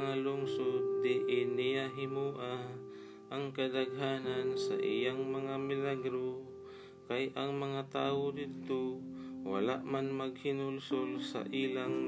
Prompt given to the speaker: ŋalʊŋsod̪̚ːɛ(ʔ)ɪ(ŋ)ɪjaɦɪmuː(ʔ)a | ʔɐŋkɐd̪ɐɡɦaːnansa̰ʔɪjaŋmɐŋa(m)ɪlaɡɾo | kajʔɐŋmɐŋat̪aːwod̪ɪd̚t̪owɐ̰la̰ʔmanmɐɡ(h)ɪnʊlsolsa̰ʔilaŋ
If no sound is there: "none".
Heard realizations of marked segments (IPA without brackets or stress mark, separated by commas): ʔ, n, ʔ, m, h